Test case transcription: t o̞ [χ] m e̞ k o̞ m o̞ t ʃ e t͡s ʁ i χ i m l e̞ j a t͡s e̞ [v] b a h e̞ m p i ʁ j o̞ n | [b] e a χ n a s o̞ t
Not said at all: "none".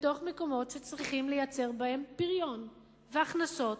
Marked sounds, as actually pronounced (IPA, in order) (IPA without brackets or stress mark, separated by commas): χ, ʁ, v